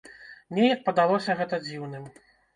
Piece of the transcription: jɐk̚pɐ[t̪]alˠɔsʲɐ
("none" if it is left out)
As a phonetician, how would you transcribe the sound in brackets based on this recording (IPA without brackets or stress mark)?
d̪